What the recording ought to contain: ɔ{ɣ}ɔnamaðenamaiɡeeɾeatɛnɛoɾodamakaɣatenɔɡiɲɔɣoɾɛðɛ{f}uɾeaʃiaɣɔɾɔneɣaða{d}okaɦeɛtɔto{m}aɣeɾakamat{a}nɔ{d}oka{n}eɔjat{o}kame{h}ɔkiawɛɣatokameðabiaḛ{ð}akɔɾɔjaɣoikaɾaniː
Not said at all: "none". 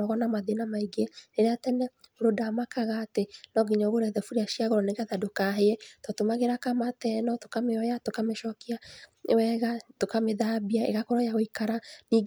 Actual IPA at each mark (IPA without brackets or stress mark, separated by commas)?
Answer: ɣ, f, d, m, ɛ, t, m, o, ʃ, ɣ